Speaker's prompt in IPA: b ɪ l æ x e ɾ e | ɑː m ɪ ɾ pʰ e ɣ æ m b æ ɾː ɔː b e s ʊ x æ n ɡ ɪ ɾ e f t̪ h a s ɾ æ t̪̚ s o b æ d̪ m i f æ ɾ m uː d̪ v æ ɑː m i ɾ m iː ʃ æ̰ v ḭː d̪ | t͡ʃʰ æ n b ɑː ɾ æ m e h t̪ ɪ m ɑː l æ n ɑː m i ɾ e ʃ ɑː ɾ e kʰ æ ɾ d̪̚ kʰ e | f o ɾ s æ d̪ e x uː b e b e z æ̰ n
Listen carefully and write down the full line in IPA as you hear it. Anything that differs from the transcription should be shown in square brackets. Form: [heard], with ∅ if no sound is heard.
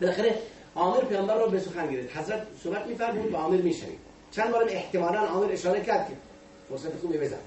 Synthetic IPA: b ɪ l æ x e ɾ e | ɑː m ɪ ɾ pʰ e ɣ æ m b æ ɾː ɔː b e s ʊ x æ n ɡ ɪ ɾ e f t̪ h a [z] ɾ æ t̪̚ s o b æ [t̪] m i f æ ɾ m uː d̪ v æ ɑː m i ɾ m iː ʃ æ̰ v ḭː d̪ | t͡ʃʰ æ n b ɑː ɾ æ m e h t̪ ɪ m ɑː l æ n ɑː m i ɾ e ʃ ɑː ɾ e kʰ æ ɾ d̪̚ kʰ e | f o ɾ s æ [t̪] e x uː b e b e z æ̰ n